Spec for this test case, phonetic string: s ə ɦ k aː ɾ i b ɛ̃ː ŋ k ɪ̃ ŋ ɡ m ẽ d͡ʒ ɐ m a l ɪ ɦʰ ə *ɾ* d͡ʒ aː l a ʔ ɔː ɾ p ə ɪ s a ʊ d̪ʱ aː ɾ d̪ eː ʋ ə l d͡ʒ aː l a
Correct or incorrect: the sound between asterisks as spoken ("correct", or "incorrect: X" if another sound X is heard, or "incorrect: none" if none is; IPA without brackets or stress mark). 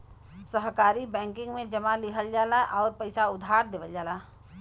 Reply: incorrect: l